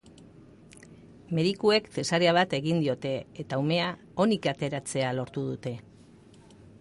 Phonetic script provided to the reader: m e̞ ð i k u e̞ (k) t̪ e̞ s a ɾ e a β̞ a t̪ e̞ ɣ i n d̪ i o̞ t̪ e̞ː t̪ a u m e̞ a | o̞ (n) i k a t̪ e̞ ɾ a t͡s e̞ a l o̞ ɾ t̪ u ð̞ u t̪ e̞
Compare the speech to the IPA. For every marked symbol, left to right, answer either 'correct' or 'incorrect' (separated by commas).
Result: correct, correct